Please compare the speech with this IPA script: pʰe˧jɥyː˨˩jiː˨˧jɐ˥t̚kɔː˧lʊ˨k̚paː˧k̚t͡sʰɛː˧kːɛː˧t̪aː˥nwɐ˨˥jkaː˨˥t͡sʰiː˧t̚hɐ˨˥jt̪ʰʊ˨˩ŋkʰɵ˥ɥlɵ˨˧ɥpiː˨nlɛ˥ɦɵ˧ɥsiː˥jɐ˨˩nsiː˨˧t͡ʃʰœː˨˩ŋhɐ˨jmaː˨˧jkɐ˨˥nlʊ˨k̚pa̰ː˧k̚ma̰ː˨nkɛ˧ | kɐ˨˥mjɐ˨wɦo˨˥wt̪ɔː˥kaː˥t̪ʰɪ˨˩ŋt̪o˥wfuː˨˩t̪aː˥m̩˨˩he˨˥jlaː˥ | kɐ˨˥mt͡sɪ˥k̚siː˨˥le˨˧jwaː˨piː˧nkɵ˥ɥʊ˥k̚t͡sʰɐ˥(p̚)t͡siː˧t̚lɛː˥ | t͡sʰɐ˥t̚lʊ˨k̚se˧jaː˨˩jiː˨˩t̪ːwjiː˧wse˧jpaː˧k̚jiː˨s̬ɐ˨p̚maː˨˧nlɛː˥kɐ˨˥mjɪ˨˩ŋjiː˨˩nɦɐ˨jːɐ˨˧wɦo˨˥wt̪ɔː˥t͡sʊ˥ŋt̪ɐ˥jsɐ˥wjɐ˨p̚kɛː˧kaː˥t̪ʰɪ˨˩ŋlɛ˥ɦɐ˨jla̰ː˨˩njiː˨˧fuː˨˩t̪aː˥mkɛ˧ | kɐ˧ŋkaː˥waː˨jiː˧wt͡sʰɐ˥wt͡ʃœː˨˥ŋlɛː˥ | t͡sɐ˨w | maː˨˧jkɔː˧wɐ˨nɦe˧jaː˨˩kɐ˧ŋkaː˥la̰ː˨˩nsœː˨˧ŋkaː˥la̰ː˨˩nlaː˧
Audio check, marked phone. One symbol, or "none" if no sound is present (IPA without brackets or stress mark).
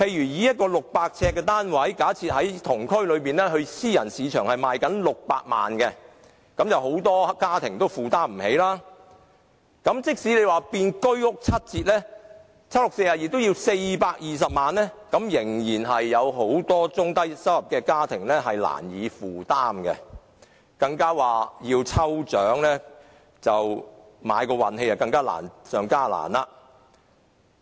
t̚